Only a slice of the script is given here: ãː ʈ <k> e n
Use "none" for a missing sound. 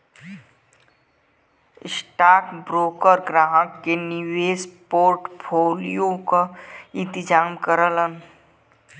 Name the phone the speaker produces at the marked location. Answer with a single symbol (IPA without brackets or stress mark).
k